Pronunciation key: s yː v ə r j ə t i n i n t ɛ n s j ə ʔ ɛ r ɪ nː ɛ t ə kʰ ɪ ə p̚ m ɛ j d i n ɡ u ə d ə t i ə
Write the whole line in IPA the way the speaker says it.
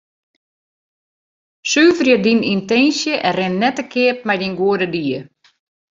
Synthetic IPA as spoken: s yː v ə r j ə d i n i n t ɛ n s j ə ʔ ɛ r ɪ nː ɛ t ə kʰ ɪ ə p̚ m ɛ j d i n ɡ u ə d ə d i ə